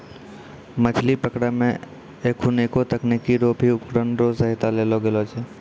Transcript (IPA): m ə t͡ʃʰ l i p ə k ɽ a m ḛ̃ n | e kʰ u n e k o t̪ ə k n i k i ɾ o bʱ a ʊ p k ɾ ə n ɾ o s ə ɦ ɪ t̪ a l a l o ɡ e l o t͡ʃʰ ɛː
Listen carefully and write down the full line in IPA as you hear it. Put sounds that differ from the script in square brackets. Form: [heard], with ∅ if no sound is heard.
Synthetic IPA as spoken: m ə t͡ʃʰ l i p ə k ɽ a m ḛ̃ [∅] | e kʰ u n e k o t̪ ə k n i k i ɾ o bʱ [i] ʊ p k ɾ ə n ɾ o s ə ɦ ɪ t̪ a l [e] l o ɡ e l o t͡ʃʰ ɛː

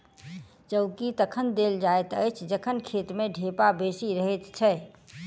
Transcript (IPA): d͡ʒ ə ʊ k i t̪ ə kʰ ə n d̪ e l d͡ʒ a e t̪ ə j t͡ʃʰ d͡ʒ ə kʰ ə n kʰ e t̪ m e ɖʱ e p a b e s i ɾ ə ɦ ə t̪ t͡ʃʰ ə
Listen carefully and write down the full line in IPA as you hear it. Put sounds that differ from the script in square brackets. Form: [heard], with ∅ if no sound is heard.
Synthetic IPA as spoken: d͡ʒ ə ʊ k i t̪ ə kʰ ə n d̪ e l d͡ʒ a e t̪ ə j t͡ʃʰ d͡ʒ ə kʰ ə n kʰ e t̪ m e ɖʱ e p a b e s i ɾ ə ɦ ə t̪ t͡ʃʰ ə

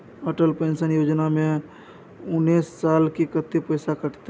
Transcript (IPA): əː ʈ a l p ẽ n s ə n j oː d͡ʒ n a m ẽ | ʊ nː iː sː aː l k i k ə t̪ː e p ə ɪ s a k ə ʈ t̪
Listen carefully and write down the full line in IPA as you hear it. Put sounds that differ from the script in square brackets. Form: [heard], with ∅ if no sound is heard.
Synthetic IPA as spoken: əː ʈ [ə] l p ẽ n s ə n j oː d͡ʒ n a m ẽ | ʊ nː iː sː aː l k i k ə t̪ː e p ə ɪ s a k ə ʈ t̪

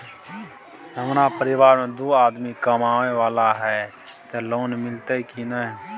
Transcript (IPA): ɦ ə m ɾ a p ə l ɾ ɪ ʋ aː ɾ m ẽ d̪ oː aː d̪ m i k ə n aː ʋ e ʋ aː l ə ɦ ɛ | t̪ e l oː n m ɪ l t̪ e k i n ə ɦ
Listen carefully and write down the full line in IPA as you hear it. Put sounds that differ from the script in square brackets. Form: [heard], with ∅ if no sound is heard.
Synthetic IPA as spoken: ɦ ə m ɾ a p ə [∅] ɾ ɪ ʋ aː ɾ m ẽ d̪ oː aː d̪ m i k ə [m] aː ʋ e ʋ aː l [a] ɦ ɛ | t̪ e l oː n m ɪ l t̪ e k i n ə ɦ

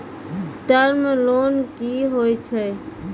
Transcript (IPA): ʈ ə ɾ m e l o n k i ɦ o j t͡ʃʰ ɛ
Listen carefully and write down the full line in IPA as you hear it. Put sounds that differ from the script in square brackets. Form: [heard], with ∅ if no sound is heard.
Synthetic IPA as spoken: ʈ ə ɾ m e l o n k i ɦ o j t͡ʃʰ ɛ

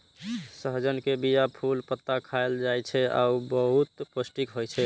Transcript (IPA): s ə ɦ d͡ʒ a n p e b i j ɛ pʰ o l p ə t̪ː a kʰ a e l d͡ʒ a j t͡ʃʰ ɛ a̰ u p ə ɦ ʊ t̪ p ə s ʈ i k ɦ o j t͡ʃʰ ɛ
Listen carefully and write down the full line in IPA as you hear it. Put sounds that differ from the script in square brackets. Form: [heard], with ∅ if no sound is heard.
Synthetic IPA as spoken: s ə ɦ d͡ʒ [ə] n [k] e b i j [a] pʰ [u] l p ə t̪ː a kʰ a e l d͡ʒ a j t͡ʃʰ ɛ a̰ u [b] ə ɦ [u] t̪ p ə s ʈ i k ɦ o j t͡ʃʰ ɛ

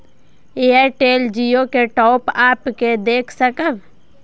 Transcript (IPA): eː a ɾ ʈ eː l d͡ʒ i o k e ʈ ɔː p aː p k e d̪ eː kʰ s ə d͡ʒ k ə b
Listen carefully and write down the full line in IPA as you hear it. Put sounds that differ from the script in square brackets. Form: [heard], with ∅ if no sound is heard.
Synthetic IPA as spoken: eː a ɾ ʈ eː l d͡ʒ i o k e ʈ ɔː p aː p k e d̪ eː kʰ s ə [∅] k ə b

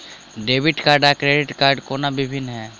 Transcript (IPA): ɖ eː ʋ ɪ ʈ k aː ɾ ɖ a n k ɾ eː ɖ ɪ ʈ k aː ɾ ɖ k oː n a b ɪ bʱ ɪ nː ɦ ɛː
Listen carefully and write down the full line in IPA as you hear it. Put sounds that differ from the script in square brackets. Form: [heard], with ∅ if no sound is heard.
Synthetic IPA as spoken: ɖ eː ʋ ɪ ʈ k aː ɾ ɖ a [∅] k ɾ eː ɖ ɪ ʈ k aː ɾ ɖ k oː n a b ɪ bʱ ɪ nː ɦ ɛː

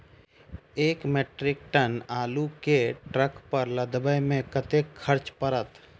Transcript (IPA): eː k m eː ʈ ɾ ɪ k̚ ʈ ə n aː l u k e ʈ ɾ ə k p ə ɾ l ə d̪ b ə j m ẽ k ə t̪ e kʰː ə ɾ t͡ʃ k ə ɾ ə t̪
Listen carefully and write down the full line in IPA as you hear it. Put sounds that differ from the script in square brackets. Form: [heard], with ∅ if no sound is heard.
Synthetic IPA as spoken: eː k m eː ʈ ɾ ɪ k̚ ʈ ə n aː l u k e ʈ ɾ ə k p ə ɾ l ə d̪ b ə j m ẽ k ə t̪ e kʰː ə ɾ t͡ʃ [p] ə ɾ ə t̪

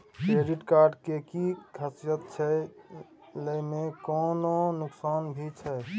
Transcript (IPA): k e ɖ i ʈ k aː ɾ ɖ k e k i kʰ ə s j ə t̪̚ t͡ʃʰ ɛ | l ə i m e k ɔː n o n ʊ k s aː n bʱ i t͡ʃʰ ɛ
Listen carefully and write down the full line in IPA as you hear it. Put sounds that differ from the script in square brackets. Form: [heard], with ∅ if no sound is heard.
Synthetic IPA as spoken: k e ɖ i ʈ k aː ɾ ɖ k e k i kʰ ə s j ə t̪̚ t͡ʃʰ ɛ | l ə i m e k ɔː n o n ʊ k s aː n bʱ i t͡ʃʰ ɛ

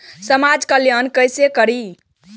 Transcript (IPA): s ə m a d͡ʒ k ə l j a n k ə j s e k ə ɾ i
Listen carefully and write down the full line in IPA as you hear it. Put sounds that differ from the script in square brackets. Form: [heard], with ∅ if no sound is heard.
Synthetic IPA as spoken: s ə m a d͡ʒ k ə l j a n k ə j s e k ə ɾ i

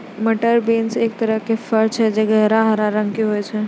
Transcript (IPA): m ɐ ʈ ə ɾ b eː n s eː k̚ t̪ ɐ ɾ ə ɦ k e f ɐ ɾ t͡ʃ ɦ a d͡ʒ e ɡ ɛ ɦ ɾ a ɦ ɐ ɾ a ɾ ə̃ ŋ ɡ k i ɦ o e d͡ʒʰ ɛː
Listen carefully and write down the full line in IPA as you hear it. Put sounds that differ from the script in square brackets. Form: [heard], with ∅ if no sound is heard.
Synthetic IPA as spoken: m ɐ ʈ ə ɾ b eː n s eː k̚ t̪ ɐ ɾ ə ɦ k e f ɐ ɾ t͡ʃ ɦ [ɛ] d͡ʒ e ɡ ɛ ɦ ɾ a ɦ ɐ ɾ a ɾ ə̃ ŋ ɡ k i ɦ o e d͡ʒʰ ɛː

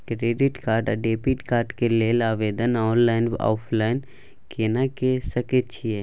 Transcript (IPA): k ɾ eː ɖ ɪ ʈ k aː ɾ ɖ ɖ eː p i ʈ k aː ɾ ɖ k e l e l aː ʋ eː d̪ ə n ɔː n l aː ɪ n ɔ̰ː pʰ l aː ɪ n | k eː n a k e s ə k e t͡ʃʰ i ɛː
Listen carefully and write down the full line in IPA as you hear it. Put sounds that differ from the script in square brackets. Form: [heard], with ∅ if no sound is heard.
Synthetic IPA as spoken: k ɾ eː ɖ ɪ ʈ k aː ɾ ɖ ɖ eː p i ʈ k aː ɾ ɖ k e l e l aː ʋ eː d̪ ə n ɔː n l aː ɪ n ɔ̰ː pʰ l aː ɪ n | k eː n a k e s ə k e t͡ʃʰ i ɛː

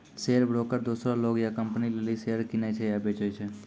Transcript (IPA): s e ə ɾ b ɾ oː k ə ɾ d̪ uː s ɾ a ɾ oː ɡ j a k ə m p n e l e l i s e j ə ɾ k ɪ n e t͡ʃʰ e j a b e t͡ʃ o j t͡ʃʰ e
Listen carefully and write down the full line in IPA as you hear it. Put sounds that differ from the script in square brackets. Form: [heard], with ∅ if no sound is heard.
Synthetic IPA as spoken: s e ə ɾ b ɾ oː k ə ɾ d̪ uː s ɾ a [l] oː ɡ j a k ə m p n [i] l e l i s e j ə ɾ k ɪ n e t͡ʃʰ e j a b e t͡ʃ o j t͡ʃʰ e

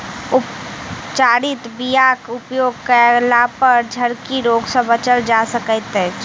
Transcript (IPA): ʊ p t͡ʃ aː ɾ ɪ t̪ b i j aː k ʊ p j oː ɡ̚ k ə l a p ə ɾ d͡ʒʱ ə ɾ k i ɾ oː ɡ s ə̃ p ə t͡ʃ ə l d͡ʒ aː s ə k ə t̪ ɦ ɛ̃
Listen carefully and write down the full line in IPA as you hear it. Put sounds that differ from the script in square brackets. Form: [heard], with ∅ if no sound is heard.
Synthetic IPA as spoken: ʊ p t͡ʃ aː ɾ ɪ t̪ b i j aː k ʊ p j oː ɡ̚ k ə l a p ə ɾ d͡ʒʱ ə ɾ k i ɾ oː ɡ s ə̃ [b] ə t͡ʃ ə l d͡ʒ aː s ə k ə t̪ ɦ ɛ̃

